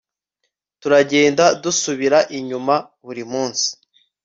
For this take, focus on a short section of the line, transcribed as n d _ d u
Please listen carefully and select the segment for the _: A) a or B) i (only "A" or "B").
A